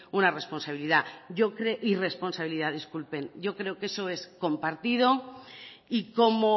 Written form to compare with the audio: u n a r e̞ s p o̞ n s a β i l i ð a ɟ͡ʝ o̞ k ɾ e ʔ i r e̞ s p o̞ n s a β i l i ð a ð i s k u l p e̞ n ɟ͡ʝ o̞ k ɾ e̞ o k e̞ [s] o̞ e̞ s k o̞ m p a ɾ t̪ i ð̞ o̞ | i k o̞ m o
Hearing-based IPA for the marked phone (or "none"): s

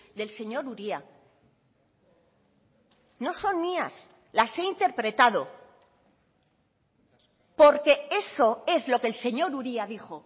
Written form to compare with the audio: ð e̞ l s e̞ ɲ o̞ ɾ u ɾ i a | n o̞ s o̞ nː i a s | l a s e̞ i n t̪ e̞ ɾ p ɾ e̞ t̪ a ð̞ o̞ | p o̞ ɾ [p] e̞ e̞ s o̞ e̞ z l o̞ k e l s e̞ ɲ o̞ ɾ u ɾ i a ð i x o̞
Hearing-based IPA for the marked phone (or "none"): k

